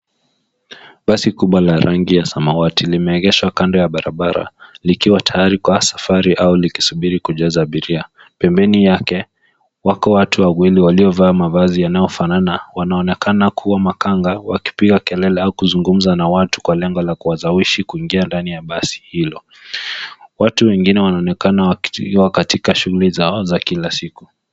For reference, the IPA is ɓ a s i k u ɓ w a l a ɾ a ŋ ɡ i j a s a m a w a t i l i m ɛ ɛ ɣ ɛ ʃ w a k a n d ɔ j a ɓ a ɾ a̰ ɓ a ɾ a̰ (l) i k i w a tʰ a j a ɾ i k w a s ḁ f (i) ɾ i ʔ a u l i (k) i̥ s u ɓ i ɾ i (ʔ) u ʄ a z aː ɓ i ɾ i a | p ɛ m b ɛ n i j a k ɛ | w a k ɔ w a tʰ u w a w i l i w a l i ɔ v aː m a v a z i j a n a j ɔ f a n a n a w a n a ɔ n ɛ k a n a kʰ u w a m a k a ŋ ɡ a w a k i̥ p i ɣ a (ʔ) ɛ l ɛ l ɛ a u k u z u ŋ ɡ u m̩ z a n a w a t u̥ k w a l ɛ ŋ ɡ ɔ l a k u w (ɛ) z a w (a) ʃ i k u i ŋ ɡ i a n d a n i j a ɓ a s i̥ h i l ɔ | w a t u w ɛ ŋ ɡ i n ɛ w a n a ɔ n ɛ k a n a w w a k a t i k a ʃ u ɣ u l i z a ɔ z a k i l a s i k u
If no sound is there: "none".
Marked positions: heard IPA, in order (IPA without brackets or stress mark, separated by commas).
l, a, k, k, k, a, i